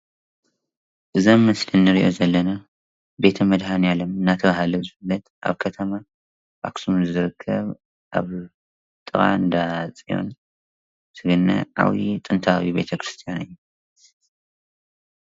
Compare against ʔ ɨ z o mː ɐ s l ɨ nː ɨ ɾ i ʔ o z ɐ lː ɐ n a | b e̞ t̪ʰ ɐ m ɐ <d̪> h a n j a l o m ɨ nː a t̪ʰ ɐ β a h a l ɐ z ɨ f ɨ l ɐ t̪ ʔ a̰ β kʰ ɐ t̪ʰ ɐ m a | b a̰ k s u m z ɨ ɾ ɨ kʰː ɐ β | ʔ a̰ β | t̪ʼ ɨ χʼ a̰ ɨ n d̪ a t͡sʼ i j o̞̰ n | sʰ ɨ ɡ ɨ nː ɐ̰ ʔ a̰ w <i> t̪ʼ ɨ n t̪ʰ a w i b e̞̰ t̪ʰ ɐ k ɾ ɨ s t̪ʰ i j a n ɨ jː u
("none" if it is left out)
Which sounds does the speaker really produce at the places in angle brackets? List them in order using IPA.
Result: d̪, i

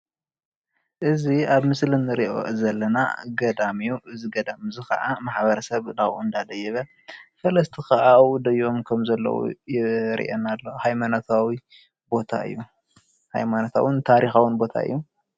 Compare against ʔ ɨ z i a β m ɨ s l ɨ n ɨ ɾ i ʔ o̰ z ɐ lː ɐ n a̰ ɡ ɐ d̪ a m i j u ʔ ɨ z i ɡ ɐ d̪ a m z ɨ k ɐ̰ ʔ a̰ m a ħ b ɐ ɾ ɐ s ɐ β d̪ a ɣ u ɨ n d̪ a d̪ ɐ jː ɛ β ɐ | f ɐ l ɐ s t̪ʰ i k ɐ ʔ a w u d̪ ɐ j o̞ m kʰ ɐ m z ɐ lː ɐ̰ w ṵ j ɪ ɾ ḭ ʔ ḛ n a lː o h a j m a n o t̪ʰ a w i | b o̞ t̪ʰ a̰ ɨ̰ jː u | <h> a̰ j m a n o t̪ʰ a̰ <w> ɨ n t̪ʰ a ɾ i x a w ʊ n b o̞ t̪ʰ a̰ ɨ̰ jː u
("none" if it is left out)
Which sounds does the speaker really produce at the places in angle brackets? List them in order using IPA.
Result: h, w

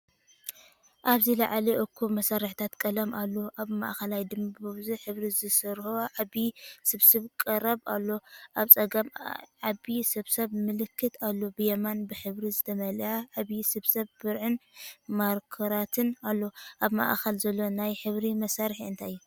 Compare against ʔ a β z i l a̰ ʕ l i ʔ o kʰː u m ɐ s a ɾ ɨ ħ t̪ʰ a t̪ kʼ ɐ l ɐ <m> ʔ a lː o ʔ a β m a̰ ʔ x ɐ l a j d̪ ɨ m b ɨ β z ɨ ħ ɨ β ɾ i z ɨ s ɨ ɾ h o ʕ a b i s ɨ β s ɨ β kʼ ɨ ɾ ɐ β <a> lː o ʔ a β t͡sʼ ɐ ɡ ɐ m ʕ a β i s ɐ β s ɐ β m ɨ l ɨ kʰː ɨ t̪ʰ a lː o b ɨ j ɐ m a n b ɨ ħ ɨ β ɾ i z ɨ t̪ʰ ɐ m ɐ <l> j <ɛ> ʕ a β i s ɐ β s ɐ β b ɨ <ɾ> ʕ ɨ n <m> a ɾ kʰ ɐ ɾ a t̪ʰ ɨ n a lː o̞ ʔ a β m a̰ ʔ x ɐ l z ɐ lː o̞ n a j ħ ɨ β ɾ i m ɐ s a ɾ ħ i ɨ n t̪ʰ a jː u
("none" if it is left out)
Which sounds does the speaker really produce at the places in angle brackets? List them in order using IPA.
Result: m, a, l, a, ɾ, m

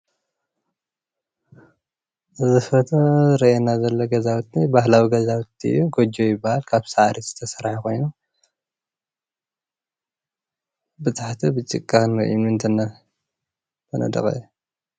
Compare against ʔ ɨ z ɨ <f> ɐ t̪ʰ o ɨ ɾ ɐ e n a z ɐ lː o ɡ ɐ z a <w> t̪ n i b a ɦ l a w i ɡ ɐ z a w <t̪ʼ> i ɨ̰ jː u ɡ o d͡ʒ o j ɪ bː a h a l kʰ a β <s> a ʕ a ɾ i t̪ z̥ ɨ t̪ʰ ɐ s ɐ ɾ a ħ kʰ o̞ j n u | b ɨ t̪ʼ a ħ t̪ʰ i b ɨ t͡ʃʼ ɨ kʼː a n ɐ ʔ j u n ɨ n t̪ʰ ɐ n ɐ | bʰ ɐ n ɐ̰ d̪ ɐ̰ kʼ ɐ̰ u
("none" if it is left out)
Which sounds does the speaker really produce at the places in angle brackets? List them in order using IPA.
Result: f, w, t̪, s

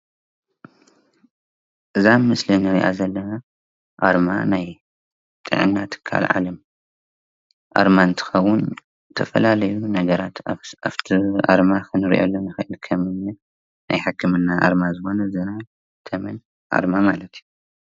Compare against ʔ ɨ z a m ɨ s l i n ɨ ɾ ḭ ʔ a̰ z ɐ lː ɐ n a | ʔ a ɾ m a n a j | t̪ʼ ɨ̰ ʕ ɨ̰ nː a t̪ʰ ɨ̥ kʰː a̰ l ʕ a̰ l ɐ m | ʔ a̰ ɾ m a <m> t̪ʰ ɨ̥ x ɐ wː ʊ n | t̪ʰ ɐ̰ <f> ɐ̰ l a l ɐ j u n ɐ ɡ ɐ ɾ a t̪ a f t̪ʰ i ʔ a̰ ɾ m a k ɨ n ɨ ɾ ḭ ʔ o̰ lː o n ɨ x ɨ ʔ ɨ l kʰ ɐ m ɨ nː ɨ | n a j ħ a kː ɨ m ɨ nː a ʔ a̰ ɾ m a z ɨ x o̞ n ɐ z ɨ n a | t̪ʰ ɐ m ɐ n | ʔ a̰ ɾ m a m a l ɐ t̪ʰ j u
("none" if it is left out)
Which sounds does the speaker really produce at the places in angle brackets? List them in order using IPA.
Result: n, f

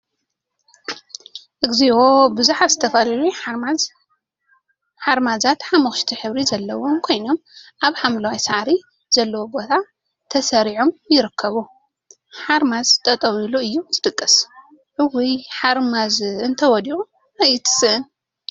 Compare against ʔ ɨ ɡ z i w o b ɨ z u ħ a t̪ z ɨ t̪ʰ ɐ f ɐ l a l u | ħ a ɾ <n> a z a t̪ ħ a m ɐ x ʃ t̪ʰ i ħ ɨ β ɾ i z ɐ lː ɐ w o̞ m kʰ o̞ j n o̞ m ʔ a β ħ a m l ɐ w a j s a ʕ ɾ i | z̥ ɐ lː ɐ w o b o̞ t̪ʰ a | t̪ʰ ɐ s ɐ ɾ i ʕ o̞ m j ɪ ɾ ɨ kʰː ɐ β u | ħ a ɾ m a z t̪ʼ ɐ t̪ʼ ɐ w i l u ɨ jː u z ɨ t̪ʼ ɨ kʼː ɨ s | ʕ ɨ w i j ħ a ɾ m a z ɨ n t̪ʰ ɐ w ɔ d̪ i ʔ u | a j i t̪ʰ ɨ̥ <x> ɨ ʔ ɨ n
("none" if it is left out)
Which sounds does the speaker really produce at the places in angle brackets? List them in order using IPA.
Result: m, s

